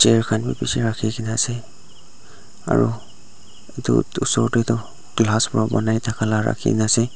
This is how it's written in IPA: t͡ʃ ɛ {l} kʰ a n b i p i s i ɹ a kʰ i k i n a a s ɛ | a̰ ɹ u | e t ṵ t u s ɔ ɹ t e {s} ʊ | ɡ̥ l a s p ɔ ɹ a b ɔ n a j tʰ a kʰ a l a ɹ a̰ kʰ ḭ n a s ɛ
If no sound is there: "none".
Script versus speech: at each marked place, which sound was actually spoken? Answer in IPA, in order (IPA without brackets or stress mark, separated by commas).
ɹ, t